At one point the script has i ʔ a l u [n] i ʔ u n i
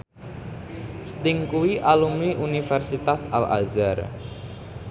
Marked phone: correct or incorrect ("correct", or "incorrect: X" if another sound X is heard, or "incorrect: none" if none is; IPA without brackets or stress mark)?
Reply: incorrect: m